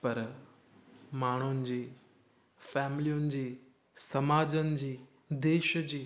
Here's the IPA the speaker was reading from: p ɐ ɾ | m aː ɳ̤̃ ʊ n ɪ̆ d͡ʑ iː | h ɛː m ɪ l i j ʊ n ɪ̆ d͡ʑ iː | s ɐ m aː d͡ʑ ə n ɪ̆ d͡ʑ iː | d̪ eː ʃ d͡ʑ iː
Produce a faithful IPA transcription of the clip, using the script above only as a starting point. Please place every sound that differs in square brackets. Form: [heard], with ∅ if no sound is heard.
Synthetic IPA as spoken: p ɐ ɾ | m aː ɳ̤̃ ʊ n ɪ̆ d͡ʑ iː | [f] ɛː m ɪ l i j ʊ n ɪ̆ d͡ʑ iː | s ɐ m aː d͡ʑ ə n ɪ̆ d͡ʑ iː | d̪ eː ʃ d͡ʑ iː